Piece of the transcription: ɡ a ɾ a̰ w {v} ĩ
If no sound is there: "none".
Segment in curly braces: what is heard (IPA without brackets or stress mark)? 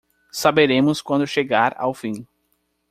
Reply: f